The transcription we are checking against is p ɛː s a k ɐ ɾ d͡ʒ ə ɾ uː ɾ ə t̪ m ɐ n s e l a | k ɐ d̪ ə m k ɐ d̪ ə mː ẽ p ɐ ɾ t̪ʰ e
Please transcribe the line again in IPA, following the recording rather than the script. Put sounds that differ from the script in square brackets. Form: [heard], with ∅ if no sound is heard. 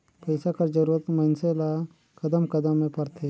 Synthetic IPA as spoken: p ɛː s a k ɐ ɾ d͡ʒ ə ɾ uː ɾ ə t̪ m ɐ n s e l a | k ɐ d̪ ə m k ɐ d̪ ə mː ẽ p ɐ ɾ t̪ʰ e